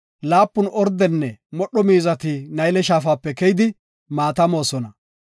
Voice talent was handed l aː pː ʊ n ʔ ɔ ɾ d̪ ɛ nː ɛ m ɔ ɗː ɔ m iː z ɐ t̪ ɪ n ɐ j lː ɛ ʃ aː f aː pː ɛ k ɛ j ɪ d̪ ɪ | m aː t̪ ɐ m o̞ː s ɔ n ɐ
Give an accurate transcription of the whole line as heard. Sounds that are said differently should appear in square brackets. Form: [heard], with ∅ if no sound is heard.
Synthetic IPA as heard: l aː pː ʊ n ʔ ɔ ɾ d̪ ɛ nː ɛ m ɔ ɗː ɔ m iː z ɐ t̪ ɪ n ɐ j [l] ɛ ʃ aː f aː pː ɛ k ɛ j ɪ d̪ ɪ | m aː t̪ ɐ m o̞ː s ɔ n ɐ